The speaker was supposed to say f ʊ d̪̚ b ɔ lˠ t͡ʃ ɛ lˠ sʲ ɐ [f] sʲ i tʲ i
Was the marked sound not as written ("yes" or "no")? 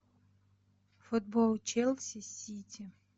yes